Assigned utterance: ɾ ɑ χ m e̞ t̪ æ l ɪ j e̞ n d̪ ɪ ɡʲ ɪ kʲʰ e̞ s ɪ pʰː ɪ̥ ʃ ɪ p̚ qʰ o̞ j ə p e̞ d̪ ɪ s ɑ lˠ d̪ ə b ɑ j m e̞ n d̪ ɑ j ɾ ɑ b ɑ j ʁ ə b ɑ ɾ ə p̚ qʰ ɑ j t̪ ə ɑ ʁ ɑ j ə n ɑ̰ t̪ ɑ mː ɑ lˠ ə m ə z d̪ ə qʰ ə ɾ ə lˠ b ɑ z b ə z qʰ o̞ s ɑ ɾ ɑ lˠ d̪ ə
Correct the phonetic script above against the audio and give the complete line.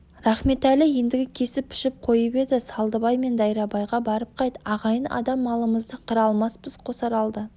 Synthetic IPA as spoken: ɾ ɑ χ m e̞ t̪ æ l ɪ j e̞ n d̪ ɪ ɡʲ ɪ kʲʰ e̞ s ɪ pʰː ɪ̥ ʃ ɪ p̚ qʰ o̞ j ə p e̞ d̪ ɪ s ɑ lˠ d̪ ə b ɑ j m e̞ n d̪ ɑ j ɾ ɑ b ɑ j ʁ ɑ b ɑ ɾ ə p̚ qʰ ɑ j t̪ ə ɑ ʁ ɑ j ə n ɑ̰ d̪ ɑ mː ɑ lˠ ə m ə z d̪ ə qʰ ə ɾ ɑ lˠ m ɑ s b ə z qʰ o̞ s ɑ ɾ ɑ lˠ d̪ ə